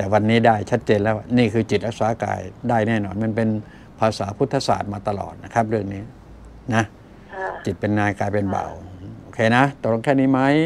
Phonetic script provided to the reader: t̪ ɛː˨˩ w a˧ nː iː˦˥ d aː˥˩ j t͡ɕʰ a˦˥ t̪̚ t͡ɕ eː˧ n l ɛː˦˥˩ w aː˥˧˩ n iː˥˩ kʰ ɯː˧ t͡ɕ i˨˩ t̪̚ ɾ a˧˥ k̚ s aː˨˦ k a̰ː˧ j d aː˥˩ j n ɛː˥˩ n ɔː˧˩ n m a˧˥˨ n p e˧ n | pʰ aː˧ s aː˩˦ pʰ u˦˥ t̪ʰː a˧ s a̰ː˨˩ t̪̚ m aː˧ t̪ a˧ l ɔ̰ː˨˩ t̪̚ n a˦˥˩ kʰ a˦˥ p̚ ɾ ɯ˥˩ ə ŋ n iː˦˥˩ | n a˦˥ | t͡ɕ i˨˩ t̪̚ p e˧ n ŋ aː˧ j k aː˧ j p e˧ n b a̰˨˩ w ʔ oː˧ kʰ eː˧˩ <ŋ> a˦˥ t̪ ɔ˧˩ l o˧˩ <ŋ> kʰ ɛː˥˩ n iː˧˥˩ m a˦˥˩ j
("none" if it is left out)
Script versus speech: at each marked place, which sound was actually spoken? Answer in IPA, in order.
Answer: n, ŋ

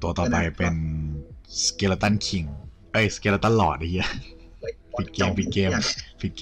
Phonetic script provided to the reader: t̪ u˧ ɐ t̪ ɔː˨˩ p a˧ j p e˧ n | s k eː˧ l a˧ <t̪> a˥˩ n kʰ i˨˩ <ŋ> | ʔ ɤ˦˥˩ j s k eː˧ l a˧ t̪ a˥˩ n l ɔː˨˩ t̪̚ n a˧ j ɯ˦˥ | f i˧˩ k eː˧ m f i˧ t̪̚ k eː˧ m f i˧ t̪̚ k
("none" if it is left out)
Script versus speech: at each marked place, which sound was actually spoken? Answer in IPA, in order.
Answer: t̪, ŋ

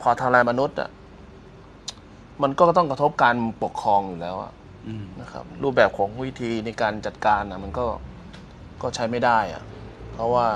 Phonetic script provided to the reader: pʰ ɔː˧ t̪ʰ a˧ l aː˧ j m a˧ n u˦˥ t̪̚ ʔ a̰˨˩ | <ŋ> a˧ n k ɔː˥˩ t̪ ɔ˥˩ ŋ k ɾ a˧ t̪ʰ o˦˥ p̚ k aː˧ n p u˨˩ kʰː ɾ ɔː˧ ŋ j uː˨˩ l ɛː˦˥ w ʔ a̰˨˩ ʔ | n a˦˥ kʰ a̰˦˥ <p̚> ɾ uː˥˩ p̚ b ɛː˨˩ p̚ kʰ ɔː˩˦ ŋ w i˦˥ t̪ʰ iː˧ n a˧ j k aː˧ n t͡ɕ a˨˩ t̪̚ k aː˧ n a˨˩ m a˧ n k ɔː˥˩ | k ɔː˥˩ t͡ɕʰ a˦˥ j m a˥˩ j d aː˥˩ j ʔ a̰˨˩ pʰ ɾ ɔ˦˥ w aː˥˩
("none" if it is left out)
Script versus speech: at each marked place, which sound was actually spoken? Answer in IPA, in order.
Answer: m, p̚

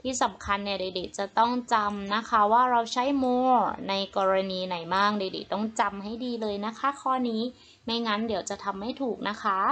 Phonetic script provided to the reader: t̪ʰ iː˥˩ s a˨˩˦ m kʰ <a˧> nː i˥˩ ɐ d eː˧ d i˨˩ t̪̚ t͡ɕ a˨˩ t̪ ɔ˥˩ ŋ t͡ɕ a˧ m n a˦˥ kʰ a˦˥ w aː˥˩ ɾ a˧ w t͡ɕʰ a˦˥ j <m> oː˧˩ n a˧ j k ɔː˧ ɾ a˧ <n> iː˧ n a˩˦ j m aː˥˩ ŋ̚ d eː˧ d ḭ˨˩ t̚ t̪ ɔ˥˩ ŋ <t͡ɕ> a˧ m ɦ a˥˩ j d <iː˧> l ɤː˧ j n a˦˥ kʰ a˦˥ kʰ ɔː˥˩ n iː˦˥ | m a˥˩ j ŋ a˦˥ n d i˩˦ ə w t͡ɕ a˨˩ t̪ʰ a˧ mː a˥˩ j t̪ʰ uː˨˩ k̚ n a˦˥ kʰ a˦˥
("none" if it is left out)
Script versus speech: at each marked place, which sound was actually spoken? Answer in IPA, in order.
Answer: a˧, m, n, t͡ɕ, iː˧

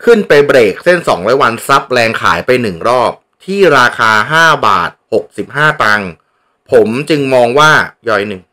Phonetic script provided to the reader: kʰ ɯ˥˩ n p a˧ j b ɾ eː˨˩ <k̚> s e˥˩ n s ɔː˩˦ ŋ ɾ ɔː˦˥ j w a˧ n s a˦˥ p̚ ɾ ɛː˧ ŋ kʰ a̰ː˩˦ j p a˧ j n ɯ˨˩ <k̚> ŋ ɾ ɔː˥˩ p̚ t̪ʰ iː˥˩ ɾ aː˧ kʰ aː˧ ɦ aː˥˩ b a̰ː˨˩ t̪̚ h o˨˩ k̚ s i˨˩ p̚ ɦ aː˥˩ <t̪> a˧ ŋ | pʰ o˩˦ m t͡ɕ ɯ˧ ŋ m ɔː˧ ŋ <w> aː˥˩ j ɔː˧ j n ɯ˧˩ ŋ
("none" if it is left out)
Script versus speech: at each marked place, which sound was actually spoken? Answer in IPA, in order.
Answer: k̚, none, t̪, w

